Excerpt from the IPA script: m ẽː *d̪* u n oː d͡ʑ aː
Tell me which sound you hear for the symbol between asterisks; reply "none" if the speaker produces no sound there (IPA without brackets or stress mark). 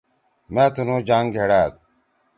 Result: t̪